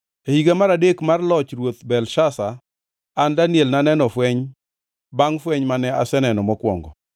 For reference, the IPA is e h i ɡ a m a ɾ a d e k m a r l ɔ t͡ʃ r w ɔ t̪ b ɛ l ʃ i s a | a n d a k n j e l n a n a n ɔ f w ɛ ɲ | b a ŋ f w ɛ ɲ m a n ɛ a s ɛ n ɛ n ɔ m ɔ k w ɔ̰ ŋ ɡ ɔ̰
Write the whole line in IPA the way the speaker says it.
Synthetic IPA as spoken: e h i ɡ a m a ɾ a d e k m a r l ɔ t͡ʃ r w o t̪ b ɛ l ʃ a s a | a n d a n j e l n a n ɛ n ɔ f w ɛ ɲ | b a ŋ f w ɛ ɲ m a n ɛ a s ɛ n ɛ n ɔ m ɔ k w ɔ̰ ŋ ɡ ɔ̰